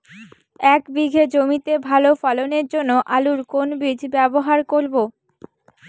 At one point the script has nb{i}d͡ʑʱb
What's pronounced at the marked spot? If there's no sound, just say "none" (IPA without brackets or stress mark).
i